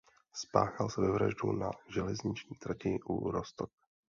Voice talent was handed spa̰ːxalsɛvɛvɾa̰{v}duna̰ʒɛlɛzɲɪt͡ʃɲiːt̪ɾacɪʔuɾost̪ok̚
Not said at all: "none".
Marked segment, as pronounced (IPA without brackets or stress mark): ʒ